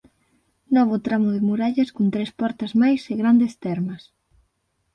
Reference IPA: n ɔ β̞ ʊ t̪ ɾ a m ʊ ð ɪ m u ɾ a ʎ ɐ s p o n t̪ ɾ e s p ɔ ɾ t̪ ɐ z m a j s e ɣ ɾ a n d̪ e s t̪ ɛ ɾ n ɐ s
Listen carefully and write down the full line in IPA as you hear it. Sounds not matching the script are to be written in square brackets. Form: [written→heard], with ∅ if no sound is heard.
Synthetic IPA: n ɔ β̞ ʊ t̪ ɾ a m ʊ ð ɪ m u ɾ a ʎ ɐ s [p→k] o n t̪ ɾ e s p ɔ ɾ t̪ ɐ z m a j s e ɣ ɾ a n d̪ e s t̪ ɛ ɾ [n→m] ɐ s